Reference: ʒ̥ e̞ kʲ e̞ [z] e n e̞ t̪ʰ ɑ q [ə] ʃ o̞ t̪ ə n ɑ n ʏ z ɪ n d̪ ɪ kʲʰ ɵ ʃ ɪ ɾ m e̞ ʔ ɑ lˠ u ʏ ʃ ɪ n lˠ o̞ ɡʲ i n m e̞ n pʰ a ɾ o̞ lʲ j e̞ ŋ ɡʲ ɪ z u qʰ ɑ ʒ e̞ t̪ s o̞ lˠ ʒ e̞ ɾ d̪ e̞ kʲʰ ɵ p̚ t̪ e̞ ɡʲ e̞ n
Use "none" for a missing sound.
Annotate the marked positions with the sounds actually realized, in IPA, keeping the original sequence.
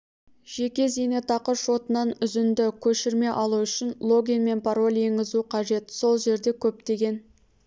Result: z, ə

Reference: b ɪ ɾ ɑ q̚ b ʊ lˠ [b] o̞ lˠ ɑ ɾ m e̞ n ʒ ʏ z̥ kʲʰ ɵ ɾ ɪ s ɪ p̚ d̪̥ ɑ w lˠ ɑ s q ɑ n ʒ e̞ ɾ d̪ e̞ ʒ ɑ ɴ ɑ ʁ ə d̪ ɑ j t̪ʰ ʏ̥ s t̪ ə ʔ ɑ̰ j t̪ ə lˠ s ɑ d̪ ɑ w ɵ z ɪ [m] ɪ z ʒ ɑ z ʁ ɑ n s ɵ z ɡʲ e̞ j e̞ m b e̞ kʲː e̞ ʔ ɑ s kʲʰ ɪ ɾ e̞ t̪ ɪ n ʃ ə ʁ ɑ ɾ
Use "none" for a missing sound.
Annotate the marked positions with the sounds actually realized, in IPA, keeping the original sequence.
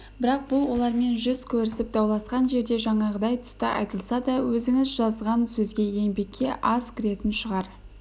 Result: w, ŋ

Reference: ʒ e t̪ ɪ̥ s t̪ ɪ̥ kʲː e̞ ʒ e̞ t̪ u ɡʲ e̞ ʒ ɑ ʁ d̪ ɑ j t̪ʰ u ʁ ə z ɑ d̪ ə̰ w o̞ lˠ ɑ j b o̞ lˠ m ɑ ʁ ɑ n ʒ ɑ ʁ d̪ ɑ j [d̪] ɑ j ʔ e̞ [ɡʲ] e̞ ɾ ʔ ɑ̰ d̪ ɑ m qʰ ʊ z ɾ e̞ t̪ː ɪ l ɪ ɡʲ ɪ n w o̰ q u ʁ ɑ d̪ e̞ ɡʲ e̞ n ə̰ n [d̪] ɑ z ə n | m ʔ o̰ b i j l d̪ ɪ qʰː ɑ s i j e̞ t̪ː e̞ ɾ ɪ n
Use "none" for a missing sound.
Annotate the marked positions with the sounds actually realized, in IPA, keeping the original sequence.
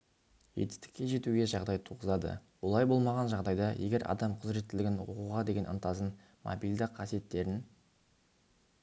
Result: d̪, ɡʲ, t̪

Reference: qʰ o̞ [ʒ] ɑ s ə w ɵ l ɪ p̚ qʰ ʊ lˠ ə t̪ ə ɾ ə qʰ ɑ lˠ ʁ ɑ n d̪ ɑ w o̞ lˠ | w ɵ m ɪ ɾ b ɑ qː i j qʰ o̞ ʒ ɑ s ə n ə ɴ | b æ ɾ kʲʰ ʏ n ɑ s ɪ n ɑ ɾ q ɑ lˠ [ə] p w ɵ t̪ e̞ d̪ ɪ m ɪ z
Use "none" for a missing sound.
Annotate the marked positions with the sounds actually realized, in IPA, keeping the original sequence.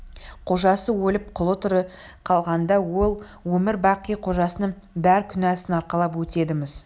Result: ʒ, ɑ

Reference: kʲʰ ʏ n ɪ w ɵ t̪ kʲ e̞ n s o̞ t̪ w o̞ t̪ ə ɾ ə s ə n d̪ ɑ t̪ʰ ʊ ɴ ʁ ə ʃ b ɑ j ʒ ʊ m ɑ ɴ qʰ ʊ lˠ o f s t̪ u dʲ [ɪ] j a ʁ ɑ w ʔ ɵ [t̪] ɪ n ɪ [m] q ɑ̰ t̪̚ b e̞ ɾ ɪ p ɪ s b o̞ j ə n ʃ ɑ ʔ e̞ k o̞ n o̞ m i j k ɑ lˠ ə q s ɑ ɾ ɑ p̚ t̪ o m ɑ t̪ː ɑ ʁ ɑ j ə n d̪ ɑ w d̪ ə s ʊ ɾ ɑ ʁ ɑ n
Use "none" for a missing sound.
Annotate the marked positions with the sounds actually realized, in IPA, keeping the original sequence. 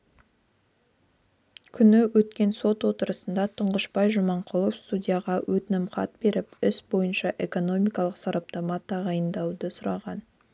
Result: i, t̪, m

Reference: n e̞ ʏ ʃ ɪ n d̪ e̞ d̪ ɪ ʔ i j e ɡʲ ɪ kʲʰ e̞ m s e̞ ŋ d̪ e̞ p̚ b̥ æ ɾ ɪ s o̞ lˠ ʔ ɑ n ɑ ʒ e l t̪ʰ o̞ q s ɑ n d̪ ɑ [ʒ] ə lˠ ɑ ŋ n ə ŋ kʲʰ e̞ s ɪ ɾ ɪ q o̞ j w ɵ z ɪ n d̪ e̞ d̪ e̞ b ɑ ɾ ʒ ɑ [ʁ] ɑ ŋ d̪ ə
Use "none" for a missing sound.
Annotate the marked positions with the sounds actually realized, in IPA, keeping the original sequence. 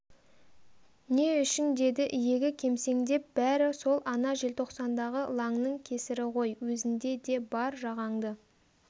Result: ʁ, ʁ

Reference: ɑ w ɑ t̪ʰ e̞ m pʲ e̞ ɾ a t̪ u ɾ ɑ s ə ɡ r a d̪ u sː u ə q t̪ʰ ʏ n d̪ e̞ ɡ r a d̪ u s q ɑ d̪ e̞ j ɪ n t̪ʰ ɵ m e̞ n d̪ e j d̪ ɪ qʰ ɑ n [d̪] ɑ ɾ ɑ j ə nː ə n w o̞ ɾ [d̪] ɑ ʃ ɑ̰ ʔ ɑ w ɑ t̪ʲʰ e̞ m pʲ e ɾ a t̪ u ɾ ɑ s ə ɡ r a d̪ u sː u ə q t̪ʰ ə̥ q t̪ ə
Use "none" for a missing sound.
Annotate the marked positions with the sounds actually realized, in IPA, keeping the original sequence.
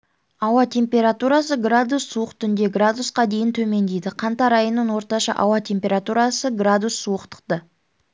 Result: t̪, t̪

